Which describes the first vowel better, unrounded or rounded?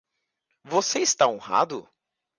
rounded